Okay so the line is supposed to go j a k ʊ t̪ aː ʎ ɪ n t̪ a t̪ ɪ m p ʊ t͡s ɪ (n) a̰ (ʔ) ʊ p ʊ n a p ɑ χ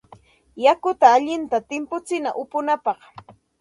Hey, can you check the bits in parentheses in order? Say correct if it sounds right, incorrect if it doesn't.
correct, correct

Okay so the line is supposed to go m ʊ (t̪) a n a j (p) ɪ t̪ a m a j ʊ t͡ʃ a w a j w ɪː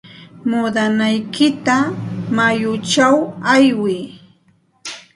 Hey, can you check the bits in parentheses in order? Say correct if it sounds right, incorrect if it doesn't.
incorrect: d̪, incorrect: k

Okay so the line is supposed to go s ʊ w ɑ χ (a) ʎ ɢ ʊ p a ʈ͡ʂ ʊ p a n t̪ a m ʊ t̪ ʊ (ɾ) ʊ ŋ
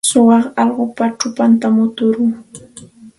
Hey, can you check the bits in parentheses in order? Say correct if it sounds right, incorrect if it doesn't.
incorrect: ɑ, correct

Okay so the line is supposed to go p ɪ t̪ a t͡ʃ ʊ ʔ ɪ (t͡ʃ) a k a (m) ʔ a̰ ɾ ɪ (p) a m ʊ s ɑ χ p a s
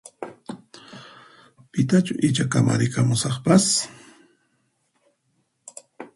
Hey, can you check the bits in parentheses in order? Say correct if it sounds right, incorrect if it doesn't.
correct, correct, incorrect: k

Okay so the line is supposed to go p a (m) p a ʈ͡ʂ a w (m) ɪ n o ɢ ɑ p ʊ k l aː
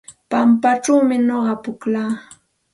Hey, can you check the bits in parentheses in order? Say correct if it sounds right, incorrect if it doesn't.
correct, correct

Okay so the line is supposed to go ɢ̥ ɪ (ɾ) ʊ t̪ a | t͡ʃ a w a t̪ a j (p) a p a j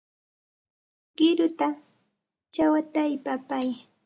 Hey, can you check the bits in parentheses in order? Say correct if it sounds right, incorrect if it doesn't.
correct, correct

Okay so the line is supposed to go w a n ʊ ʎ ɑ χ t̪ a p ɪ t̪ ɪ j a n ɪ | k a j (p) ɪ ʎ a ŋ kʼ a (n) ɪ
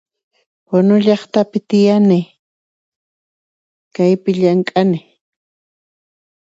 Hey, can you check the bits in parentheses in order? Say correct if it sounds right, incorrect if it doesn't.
correct, correct

